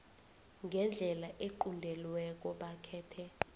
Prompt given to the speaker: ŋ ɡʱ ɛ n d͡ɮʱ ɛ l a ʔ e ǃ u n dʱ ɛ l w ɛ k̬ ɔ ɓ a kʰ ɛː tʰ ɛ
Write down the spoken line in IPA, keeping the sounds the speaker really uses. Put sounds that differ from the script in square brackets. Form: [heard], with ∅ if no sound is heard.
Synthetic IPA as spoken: ŋ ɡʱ ɛ n d͡ɮʱ ɛ l a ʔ e ǃ u n dʱ ɛ l w ɛ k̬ ɔ ɓ a kʰ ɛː tʰ ɛ

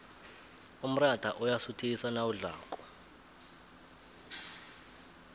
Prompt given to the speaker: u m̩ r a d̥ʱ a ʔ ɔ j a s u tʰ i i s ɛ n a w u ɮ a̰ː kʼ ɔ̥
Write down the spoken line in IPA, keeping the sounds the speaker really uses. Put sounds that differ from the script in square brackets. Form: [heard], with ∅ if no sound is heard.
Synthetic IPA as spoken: u m̩ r a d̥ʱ a ʔ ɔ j a s u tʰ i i s [a] n a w u ɮ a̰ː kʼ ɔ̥

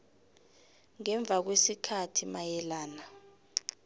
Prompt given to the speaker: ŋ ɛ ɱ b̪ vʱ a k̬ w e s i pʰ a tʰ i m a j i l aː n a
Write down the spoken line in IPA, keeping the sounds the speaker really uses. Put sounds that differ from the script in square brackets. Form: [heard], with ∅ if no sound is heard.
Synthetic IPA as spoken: ŋ ɛ ɱ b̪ vʱ a k̬ w e s i [kʰ] a tʰ i m a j [ɛ] l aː n a

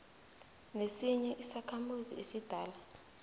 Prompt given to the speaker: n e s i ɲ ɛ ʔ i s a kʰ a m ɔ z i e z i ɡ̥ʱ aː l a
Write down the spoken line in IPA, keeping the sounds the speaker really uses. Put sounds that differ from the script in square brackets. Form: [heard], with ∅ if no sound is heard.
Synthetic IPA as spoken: n e s i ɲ ɛ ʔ i s a kʰ a m [u] z i e [s] i [d̥ʱ] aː l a

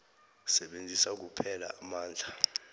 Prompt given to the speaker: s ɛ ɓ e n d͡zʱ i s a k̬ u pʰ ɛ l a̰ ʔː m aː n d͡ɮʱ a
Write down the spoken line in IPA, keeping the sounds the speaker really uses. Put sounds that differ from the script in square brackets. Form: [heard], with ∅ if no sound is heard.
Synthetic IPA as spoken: s ɛ ɓ e n d͡zʱ i s a k̬ u pʰ ɛ l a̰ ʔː m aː n d͡ɮʱ a

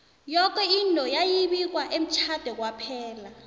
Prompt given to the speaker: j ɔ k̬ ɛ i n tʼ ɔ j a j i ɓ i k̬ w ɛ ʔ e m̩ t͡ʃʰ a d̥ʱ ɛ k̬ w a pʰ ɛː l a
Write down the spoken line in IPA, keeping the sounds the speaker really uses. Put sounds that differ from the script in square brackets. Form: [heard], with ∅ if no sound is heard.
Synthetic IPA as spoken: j ɔ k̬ ɛ i n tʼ ɔ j a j i ɓ i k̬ w [a] ʔ e m̩ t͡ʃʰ a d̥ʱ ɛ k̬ w a pʰ ɛː l a

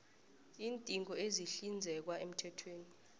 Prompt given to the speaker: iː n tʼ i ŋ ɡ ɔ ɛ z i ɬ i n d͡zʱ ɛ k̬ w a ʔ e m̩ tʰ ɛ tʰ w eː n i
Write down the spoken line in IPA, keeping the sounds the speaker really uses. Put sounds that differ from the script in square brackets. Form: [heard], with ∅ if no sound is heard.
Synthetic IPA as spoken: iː n tʼ i ŋ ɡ ɔ [e] z i ɬ i n d͡zʱ ɛ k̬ w a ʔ e m̩ tʰ ɛ tʰ w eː n i

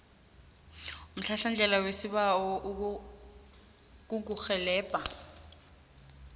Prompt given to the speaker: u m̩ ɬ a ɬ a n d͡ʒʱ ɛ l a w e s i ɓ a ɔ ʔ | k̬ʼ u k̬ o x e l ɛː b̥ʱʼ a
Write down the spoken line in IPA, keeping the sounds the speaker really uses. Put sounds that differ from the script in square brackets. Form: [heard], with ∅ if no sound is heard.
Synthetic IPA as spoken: u m̩ ɬ a ɬ a n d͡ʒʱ ɛ l a w e s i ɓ a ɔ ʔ | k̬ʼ u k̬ [u] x [ɛ] l ɛː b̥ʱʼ a

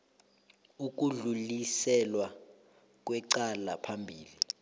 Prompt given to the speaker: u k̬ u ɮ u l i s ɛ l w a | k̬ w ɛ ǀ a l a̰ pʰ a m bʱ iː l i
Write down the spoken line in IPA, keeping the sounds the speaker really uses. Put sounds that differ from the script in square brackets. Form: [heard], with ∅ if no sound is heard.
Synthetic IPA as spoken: u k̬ u ɮ u l i s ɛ l w a | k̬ w ɛ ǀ a l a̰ pʰ a m bʱ iː l i

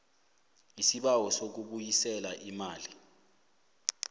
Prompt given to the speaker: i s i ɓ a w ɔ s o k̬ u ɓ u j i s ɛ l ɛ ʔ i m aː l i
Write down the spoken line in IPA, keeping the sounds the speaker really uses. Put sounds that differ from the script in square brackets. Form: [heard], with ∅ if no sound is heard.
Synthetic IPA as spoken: i s i ɓ a w ɔ s o k̬ u ɓ u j i s ɛ l [a] ʔ i m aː l i

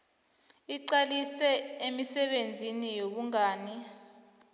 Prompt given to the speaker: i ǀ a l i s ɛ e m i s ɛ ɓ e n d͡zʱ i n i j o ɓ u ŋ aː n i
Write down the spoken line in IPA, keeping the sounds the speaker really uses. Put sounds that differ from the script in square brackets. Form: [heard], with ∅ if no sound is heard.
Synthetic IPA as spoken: i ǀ a l i s ɛ e m i s ɛ ɓ e n d͡zʱ i n i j o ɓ u ŋ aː n i

